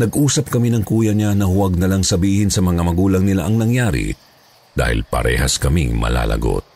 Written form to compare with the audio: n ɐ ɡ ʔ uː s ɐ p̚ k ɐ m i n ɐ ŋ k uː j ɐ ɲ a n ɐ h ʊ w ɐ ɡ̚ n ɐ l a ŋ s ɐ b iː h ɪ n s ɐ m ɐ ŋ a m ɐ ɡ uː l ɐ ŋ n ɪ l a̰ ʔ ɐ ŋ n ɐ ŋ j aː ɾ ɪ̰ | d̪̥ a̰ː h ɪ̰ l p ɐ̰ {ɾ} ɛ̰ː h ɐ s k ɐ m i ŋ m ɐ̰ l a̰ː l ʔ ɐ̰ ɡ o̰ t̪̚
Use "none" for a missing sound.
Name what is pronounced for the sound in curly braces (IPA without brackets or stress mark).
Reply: ɾ